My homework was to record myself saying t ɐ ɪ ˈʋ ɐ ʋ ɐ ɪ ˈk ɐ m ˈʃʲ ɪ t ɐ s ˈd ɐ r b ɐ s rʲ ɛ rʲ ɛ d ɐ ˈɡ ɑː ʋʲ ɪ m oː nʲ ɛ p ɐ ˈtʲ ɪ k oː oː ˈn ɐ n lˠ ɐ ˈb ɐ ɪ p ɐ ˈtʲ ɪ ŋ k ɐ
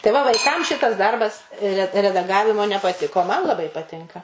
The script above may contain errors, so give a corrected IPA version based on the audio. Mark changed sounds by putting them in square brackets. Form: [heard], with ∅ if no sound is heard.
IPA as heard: t ɐ ɪ ˈʋ ɐ ʋ ɐ ɪ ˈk ɐ m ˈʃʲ ɪ t ɐ s ˈd ɐ r b ɐ s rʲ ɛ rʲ ɛ d ɐ ˈɡ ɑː ʋʲ ɪ m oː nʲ ɛ p ɐ ˈtʲ ɪ k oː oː [ˈm] ɐ n lˠ ɐ ˈb ɐ ɪ p ɐ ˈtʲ ɪ ŋ k ɐ